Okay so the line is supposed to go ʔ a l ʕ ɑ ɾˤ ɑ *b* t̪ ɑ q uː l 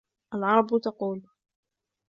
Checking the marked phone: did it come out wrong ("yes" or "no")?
no